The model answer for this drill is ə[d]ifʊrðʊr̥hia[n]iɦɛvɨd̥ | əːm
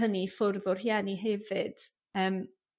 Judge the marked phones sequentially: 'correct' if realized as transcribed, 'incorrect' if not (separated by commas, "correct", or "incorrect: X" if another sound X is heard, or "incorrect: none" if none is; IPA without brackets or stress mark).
incorrect: n, correct